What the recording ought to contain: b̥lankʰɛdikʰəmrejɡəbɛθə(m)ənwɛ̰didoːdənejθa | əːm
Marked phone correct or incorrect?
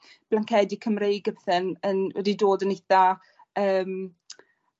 incorrect